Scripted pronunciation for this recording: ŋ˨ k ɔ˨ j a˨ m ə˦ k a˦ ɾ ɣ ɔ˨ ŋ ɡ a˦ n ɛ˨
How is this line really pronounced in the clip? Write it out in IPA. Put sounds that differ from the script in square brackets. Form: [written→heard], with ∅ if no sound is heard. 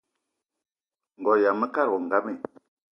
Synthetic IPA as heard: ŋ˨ [k→ɡ] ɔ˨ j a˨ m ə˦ k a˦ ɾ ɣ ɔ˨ ŋ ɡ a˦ [n→m] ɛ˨